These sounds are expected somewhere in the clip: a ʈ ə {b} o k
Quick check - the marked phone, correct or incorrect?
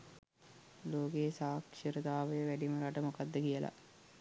incorrect